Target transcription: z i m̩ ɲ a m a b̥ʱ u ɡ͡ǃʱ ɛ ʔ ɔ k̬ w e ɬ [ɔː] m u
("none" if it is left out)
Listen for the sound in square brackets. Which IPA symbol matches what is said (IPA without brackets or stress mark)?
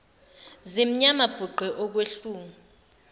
uː